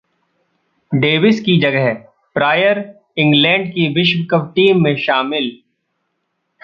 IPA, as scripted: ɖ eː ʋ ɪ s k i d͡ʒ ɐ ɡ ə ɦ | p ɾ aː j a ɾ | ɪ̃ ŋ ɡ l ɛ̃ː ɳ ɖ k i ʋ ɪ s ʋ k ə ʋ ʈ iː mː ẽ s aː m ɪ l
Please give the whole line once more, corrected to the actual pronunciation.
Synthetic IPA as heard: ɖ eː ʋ ɪ s k i d͡ʒ ɐ ɡ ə ɦ | p ɾ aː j ə ɾ | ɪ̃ ŋ ɡ l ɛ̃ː ɳ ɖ k i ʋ ɪ ʃ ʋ k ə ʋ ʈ iː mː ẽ ʃ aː m ɪ l